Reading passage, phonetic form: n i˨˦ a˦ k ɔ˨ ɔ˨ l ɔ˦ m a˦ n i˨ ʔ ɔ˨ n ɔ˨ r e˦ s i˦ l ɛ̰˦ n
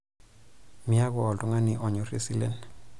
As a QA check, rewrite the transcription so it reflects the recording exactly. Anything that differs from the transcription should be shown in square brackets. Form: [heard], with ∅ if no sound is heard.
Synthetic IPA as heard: [m] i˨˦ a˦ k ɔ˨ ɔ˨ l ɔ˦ [ŋ] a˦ n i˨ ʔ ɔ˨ [ɲ] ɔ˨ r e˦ s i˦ l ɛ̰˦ n